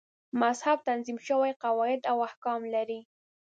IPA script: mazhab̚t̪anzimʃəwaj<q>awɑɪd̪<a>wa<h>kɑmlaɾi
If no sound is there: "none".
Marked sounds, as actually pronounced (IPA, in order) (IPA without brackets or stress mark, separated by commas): q, a, h